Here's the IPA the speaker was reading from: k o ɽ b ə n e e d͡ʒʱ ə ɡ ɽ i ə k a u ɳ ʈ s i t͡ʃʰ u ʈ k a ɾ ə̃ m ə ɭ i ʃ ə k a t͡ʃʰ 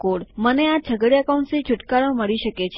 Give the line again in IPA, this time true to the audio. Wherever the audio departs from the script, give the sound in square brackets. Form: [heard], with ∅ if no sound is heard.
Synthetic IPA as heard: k o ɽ [m] ə n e [a] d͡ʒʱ ə ɡ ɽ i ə k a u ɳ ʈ s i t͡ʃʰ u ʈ k a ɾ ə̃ m ə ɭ i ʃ ə k [e] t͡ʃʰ